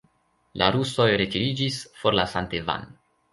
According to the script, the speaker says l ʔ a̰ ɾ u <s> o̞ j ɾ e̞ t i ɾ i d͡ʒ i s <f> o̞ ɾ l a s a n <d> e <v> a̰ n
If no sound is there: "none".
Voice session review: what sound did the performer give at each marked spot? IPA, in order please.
s, f, t, v

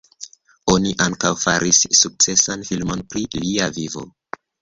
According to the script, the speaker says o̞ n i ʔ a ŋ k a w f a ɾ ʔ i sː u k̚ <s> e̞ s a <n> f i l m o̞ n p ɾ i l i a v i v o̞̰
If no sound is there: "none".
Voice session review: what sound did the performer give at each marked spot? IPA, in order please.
t͡s, n

